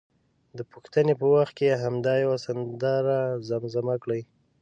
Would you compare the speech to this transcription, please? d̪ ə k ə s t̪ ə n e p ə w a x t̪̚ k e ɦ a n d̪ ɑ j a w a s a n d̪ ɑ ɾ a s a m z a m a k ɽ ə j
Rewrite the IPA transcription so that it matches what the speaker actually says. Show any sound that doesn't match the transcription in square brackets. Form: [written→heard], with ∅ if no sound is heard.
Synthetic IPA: d̪ ə [k→p] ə [s→x] t̪ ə n e p ə w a x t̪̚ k e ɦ a [n→m] d̪ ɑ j a w a s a n d̪ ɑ ɾ a [s→z] a m z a m a k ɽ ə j